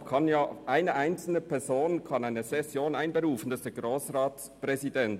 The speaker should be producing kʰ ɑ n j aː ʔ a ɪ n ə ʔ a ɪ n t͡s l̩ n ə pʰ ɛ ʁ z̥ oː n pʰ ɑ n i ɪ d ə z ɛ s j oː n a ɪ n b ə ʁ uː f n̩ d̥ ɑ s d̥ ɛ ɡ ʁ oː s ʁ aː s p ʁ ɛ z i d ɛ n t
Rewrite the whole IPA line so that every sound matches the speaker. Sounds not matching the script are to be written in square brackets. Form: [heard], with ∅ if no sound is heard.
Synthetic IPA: kʰ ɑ n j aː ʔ a ɪ n ə ʔ a ɪ n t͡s l̩ n ə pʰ ɛ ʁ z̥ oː n [kʰ] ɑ n [a] ɪ [n] ə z ɛ s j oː n a ɪ n b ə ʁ uː f n̩ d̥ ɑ s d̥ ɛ ɡ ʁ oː s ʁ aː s p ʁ ɛ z i d ɛ n t